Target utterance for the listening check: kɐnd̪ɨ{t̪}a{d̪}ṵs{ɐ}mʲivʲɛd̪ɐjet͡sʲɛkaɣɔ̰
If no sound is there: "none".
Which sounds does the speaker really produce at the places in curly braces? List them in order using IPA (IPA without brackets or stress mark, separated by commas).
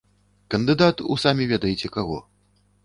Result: d̪, t̪, a